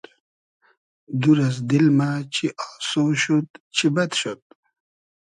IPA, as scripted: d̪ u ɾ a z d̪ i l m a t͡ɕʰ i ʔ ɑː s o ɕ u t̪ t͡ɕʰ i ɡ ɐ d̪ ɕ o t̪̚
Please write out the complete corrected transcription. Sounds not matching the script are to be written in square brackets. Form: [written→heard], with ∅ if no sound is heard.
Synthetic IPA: d̪ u ɾ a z d̪ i l m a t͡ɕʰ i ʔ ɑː s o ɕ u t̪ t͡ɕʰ i [ɡ→b] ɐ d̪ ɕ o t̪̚